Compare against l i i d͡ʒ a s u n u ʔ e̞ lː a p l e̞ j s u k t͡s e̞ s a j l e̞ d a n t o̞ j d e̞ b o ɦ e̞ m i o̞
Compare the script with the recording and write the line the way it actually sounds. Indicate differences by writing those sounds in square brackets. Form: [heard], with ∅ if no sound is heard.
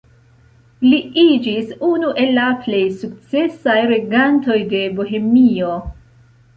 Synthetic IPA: l i i d͡ʒ [i] s u n u ʔ e̞ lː a p l e̞ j s u k t͡s e̞ s a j [ɾ] e̞ [ɡ] a n t o̞ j d e̞ b o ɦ e̞ m i o̞